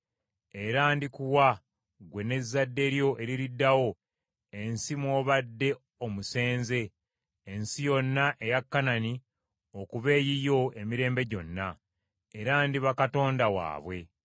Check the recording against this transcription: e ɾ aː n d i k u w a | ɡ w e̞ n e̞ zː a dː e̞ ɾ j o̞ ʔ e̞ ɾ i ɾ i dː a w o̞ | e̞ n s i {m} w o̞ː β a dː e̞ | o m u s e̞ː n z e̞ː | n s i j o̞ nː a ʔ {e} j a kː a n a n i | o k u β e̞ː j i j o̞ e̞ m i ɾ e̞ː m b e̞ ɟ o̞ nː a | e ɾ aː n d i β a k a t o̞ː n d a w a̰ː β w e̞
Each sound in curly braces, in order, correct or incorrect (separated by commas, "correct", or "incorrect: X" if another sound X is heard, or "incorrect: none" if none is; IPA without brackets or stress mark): correct, correct